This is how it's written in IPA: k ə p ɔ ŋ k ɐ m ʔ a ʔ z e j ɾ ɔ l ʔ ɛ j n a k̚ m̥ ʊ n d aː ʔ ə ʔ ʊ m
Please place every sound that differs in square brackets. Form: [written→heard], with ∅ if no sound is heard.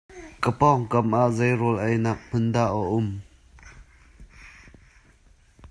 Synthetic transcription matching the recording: k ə p ɔ ŋ k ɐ m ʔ a ʔ z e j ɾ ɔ l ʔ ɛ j n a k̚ m̥ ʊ n d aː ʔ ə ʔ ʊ m

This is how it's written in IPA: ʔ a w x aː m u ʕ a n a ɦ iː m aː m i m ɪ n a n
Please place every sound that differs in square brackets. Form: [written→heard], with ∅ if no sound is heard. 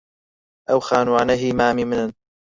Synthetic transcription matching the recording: ʔ a w x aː [m→n] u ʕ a n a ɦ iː m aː m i m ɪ n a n

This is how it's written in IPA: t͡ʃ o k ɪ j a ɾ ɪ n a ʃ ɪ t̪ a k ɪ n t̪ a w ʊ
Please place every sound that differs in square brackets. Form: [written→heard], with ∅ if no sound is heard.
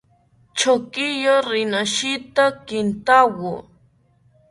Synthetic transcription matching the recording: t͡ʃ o k ɪ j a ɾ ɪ n a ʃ ɪ t̪ a k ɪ n t̪ a w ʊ

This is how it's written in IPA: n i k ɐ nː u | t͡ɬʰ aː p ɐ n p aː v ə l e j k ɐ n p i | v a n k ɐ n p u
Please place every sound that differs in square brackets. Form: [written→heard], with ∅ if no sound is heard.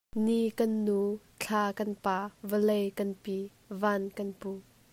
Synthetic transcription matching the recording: n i k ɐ nː u | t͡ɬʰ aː [p→k] ɐ n p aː v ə l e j k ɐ n p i | v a n k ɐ n p u

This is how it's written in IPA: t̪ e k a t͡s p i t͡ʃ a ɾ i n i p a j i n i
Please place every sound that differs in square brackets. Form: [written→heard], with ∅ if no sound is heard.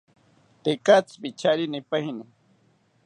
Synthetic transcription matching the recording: t̪ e k a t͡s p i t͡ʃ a ɾ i n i p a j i n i

